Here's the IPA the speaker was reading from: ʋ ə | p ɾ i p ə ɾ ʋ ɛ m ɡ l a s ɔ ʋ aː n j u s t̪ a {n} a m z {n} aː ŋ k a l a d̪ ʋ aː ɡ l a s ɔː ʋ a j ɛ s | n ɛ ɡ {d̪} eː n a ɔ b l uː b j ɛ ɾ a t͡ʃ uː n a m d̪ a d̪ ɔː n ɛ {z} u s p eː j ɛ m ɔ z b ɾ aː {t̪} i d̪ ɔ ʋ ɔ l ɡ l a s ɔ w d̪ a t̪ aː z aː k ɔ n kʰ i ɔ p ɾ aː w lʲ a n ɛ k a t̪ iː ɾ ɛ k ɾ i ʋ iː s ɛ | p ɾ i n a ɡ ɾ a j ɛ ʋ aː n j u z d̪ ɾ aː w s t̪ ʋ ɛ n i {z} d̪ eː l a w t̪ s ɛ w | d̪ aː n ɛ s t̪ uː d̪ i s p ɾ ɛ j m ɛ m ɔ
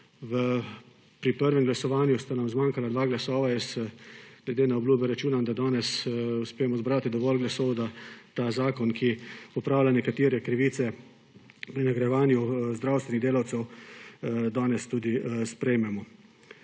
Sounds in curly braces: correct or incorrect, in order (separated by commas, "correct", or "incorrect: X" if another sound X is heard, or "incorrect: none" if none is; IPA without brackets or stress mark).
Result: correct, incorrect: m, correct, incorrect: s, correct, incorrect: ɣ